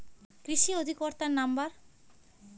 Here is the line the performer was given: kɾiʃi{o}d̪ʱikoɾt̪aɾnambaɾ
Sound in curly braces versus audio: correct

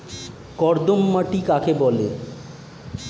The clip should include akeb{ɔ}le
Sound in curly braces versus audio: correct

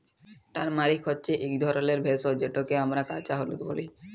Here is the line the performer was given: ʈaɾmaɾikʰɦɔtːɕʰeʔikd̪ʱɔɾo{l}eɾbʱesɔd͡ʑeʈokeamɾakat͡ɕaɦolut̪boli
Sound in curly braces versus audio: correct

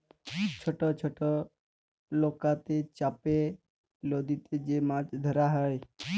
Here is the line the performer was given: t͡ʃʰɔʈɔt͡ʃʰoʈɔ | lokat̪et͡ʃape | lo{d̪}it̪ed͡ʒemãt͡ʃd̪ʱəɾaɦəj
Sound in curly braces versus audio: correct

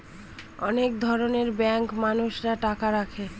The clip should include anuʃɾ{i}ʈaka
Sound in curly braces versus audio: incorrect: a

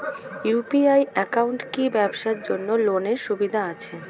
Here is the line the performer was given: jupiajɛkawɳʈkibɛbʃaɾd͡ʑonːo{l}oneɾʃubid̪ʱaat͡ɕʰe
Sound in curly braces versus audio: correct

